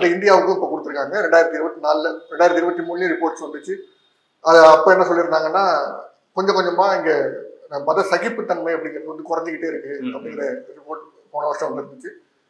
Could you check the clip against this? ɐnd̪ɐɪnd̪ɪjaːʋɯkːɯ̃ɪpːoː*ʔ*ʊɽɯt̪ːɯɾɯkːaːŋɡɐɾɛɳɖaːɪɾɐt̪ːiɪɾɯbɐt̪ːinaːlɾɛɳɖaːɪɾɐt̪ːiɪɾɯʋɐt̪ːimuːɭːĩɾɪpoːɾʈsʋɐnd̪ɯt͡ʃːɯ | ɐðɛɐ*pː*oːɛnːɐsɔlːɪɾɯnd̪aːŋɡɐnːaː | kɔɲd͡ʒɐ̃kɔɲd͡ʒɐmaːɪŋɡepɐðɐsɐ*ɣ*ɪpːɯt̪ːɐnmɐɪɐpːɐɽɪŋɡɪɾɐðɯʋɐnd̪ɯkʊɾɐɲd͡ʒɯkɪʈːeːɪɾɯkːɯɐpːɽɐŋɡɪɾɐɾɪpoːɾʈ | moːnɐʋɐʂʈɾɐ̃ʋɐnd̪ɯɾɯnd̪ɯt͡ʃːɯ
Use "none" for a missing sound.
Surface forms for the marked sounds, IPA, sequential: k, pː, ɣ

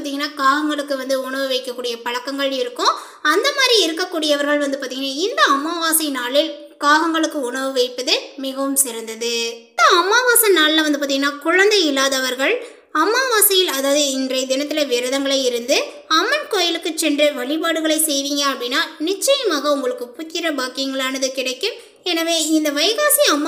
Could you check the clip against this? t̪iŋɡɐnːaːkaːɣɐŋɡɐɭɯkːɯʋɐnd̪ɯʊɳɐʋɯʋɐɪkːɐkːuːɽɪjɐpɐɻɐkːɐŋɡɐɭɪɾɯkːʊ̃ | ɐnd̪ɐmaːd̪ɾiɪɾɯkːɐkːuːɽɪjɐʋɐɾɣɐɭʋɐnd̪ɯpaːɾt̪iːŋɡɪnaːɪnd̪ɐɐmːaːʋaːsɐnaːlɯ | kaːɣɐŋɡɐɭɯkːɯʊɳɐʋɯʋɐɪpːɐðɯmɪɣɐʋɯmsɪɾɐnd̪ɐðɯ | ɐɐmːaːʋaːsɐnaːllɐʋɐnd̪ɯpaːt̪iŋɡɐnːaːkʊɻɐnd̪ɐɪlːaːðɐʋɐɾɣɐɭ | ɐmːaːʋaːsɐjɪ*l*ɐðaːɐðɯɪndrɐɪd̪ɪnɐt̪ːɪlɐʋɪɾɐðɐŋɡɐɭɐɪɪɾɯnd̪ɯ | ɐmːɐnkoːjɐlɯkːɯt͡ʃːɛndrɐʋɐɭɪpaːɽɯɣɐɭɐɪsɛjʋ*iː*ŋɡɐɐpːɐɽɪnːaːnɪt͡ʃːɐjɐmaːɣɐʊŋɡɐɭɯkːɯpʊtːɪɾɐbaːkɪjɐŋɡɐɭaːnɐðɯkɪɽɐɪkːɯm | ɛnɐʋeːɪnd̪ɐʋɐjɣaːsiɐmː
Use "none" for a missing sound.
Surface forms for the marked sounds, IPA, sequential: l, iː

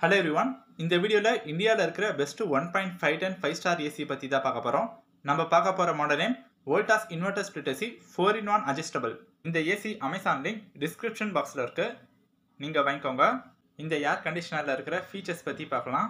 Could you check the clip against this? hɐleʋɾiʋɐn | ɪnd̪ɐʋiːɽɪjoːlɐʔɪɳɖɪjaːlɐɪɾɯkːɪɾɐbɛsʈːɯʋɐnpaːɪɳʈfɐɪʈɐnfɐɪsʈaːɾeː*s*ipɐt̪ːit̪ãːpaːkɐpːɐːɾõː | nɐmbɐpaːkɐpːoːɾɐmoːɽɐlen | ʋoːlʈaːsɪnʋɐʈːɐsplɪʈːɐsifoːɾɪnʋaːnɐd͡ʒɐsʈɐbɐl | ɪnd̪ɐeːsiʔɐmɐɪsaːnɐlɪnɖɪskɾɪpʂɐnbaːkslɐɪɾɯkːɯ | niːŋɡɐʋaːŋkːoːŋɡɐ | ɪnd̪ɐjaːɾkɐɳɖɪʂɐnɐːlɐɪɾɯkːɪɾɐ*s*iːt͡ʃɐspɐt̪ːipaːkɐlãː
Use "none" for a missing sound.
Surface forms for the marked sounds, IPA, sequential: s, f

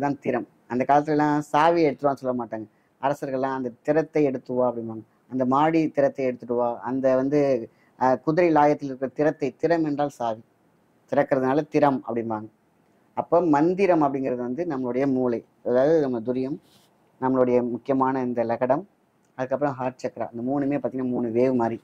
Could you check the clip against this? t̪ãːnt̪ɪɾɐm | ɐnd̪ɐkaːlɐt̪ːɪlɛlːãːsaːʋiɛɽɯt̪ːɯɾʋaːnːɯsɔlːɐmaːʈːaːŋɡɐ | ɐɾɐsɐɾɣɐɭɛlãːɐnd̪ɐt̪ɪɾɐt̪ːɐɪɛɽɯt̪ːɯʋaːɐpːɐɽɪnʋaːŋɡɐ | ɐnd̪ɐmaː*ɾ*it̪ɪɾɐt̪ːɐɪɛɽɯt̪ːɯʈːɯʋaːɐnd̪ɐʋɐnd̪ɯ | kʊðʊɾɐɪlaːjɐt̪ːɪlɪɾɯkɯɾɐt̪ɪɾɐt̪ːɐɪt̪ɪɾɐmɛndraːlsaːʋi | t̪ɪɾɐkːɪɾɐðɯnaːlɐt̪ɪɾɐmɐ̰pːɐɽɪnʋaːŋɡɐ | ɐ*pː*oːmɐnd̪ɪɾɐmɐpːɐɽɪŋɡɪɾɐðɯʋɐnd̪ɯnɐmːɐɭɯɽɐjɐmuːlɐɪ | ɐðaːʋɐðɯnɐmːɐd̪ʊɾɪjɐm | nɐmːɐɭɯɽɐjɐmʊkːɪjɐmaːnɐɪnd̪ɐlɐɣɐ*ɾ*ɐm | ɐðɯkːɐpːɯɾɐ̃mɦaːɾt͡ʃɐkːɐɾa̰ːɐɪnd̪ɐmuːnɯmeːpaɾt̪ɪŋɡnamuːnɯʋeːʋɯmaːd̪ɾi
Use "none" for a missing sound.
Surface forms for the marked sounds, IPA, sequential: ɽ, pː, ɽ

